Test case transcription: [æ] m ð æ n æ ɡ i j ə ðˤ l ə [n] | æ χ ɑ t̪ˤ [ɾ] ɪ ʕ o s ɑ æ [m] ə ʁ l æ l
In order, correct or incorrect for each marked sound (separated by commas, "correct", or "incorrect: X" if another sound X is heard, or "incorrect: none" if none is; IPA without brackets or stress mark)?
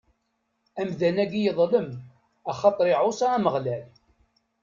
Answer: correct, incorrect: m, correct, correct